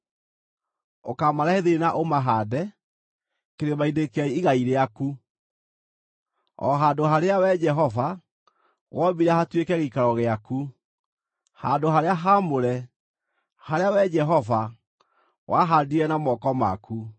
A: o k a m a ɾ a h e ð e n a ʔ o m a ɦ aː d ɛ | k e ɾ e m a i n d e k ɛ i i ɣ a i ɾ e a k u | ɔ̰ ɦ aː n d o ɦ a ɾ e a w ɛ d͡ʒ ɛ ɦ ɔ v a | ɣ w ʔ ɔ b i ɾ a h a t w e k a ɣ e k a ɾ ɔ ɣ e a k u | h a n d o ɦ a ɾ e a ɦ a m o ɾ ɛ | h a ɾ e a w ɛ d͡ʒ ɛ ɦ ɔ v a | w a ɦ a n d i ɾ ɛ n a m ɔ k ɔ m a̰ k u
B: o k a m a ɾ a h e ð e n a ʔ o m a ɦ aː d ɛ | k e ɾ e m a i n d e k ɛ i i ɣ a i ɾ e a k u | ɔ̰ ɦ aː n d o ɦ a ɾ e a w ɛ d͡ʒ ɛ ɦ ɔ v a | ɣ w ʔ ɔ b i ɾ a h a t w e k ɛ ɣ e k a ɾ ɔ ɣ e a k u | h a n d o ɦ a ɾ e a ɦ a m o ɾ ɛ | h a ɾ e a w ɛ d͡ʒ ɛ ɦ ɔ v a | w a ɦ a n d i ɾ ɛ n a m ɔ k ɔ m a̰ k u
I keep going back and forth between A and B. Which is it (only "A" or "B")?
B